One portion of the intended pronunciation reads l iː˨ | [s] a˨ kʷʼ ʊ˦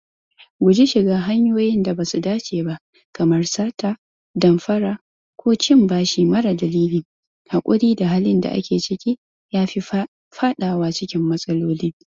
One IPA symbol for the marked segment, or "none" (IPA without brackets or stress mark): h